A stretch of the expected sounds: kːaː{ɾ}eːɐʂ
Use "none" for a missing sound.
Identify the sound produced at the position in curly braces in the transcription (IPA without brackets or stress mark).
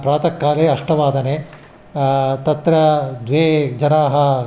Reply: l